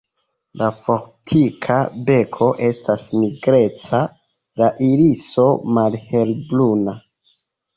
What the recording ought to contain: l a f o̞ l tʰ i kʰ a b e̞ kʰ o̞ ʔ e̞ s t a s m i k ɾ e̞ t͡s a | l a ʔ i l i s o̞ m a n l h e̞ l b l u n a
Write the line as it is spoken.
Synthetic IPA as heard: l a f o̞ ɾ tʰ i kʰ a b e̞ kʰ o̞ ʔ e̞ s t a s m i ɡ ɾ e̞ t͡s a | l a ʔ i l i s o̞ m a l h e̞ l b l u n a